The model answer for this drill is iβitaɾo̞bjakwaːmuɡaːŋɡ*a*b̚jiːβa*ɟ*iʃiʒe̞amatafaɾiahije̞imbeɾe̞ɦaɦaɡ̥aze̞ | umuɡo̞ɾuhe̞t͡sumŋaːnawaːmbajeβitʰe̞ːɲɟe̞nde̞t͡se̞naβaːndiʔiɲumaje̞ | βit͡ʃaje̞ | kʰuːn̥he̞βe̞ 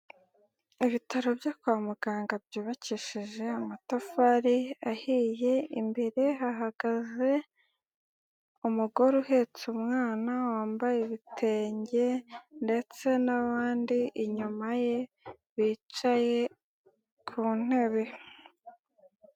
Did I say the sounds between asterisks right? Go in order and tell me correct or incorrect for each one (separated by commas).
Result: correct, incorrect